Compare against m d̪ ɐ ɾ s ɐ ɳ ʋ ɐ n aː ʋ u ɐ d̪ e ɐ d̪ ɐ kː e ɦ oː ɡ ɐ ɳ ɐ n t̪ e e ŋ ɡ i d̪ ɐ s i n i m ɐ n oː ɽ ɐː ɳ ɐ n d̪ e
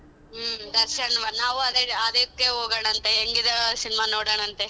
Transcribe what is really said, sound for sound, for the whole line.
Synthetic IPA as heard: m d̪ ɐ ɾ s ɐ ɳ ʋ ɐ n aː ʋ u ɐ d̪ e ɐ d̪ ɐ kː e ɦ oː ɡ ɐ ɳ ɐ n t̪ e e ŋ ɡ i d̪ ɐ s i n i m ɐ n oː ɽ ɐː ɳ ɐ n t̪ e

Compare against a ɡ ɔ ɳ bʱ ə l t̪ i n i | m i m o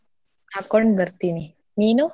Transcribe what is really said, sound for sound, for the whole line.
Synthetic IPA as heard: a k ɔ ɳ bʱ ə ɾ t̪ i n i | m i n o

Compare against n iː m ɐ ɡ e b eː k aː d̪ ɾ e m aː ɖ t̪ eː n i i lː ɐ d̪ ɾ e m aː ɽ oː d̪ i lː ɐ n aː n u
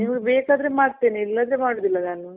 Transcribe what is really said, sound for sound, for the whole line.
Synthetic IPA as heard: n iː m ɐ ɡ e b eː k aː d̪ ɾ e m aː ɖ t̪ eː n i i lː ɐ d̪ ɾ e m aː ɽ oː d̪ i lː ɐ n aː n u

